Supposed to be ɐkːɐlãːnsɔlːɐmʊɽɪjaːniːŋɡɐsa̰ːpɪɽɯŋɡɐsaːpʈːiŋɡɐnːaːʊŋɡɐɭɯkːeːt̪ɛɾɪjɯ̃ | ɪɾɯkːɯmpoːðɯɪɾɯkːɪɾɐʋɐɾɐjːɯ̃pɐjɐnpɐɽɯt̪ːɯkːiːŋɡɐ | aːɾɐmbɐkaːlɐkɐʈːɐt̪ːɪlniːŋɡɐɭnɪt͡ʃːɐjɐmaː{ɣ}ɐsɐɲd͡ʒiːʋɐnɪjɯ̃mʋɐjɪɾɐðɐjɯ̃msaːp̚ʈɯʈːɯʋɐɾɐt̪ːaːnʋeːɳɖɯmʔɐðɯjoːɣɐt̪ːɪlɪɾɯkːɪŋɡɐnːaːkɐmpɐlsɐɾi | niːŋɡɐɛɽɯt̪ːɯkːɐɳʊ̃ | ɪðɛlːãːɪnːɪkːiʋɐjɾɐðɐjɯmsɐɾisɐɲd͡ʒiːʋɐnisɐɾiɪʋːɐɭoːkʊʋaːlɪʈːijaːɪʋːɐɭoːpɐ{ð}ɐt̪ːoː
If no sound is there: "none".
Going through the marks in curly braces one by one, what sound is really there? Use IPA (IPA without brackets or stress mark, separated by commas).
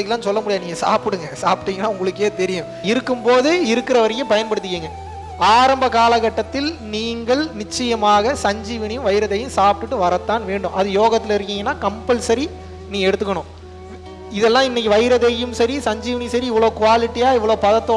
ɣ, ð